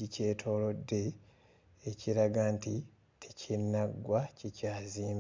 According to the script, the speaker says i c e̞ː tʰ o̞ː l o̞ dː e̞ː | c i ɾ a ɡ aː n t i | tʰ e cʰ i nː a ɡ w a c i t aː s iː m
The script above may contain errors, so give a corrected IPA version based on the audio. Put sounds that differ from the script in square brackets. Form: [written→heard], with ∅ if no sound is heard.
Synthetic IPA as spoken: i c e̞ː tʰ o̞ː l o̞ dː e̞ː | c i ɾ a ɡ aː n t i | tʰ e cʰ i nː a ɡ w a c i [t→c] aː [s→z] iː m